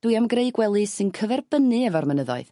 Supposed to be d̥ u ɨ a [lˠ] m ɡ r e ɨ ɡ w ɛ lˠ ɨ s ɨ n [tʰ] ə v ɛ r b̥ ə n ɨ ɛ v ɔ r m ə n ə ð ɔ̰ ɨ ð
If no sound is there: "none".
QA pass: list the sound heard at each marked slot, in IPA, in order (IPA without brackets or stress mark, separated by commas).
none, kʰ